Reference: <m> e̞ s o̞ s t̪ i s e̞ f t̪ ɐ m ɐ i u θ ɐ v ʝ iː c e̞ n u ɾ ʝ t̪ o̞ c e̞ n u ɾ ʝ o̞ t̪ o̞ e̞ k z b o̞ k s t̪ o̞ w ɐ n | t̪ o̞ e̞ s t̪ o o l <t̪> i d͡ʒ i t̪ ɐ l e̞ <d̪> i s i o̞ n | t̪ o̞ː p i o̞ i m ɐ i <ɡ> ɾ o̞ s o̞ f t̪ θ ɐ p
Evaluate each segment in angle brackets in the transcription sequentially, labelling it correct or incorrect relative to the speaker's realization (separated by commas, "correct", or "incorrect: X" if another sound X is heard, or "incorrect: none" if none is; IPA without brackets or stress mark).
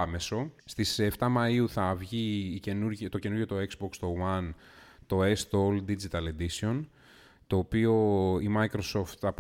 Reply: correct, incorrect: d̪, correct, incorrect: k